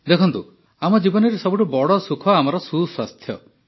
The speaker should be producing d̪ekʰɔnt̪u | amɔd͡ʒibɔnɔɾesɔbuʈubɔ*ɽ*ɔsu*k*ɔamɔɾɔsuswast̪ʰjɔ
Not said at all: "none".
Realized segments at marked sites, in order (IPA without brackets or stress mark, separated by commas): ɽ, kʰ